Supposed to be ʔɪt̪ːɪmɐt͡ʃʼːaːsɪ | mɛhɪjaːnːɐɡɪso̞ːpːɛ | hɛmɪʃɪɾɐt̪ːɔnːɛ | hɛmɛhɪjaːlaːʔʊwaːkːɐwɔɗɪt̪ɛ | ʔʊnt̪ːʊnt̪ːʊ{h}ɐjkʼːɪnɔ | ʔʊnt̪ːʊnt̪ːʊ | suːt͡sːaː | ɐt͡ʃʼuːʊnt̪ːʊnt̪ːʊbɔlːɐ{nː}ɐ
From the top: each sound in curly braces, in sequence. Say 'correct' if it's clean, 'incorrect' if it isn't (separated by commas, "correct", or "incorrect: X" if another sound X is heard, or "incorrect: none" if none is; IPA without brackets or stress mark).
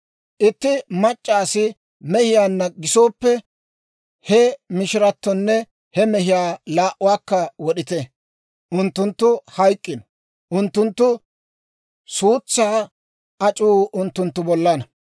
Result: correct, incorrect: n